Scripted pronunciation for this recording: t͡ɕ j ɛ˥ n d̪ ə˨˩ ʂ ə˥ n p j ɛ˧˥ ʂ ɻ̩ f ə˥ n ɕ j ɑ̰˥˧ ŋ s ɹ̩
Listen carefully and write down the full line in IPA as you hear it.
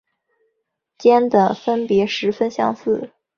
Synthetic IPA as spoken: t͡ɕ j ɛ˥ n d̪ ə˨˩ f ə˥ n p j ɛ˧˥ ʂ ɻ̩ f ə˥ n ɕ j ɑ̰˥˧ ŋ s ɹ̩